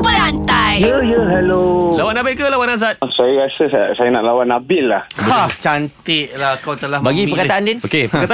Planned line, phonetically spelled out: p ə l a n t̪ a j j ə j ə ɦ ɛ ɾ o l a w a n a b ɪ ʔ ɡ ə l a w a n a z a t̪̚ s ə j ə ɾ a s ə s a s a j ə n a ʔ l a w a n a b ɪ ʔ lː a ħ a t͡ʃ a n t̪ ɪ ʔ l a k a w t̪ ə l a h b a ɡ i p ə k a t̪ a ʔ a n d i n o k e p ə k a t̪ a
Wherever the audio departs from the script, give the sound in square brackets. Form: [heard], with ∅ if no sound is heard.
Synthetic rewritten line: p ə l a n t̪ a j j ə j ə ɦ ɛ [l] o l a w a n a b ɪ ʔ [k] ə l a w a n a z a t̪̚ s [a] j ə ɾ a s ə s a s a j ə n a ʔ l a w a n a b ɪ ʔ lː a [h] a t͡ʃ a n t̪ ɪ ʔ l a k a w t̪ ə l a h b a ɡ i p ə k a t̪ a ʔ a n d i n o k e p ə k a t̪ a